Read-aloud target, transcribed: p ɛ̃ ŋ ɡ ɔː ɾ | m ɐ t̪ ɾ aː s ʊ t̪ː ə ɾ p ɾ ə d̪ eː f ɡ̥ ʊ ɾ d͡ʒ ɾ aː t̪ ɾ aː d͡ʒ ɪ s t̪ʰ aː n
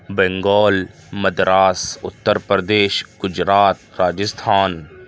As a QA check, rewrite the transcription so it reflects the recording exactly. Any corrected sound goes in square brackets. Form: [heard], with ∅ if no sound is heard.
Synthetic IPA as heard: [b] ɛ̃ ŋ ɡ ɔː [l] | m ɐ [d̪] ɾ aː s ʊ t̪ː ə ɾ p ɾ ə d̪ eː [ʃ] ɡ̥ ʊ [∅] d͡ʒ ɾ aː t̪ ɾ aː d͡ʒ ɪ s t̪ʰ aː n